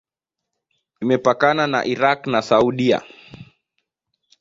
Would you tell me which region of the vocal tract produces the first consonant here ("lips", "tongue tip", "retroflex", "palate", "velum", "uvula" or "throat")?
lips